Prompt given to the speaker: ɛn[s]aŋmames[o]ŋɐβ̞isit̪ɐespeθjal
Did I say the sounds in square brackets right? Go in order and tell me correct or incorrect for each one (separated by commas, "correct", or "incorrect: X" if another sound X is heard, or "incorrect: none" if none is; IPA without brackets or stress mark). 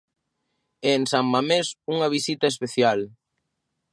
correct, incorrect: u